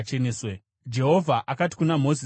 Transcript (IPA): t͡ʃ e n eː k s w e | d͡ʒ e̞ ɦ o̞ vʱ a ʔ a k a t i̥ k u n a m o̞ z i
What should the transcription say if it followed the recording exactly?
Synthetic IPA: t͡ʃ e n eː s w e | d͡ʒ e̞ ɦ o̞ vʱ a ʔ a k a t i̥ k u n a m o̞ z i